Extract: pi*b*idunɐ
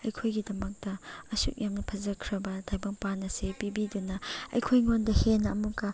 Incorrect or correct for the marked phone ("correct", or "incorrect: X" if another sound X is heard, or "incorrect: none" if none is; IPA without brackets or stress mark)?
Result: correct